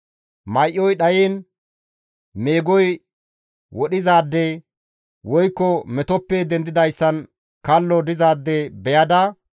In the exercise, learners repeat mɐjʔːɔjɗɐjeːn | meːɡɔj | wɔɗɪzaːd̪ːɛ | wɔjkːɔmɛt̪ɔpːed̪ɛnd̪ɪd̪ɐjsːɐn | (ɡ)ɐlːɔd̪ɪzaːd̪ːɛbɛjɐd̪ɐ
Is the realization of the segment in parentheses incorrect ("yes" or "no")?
yes